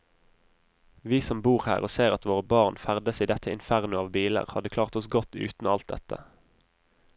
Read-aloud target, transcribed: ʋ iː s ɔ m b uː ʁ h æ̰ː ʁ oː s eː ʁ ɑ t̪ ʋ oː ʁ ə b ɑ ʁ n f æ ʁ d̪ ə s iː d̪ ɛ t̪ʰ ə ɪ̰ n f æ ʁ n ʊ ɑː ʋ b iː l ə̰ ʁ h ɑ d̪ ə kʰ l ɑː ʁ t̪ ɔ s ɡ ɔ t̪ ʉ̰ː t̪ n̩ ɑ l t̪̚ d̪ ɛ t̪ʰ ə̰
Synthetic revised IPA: ʋ iː s ɔ m b uː ʁ h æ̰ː ʁ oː s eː ʁ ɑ t̪ ʋ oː ʁ ə b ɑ ʁ n f æ ʁ d̪ ə s iː d̪ ɛ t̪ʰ ə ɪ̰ n f æ ʁ n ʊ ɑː ʋ b iː l ə̰ ʁ h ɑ d̪ ə kʰ l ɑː ʁ t̪ ɔ s ɡ ɔ t̪ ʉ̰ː t̪ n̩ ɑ l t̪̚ d̪ ɛ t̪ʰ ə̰